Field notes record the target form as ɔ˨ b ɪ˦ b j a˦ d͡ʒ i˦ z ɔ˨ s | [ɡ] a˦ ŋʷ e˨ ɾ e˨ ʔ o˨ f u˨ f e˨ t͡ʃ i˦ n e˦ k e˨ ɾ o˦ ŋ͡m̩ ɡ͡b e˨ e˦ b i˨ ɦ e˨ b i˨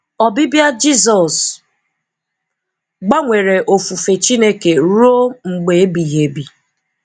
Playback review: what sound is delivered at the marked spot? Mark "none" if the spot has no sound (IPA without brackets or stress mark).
ɡ͡b